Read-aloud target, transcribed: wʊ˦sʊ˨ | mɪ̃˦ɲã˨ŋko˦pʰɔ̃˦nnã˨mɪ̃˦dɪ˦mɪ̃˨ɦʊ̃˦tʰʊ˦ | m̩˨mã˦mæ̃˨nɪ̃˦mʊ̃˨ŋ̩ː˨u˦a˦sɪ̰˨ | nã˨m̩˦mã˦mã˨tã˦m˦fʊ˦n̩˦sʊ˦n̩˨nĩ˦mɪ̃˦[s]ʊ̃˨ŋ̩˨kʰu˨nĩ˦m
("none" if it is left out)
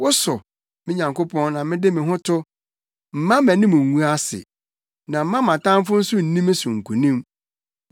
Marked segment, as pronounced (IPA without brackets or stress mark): s